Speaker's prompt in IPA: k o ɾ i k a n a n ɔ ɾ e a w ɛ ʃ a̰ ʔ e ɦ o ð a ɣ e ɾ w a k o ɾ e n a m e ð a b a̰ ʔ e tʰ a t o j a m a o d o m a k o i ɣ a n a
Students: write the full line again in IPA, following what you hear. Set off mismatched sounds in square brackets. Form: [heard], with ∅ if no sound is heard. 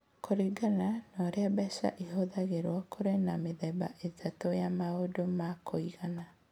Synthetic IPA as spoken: k o ɾ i [ɡ] a n a n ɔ ɾ e a [b] ɛ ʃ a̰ ʔ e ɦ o ð a ɣ e ɾ w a k o ɾ e n a m e ð [ɛ] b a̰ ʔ e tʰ a t o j a m a o d o m a k o i ɣ a n a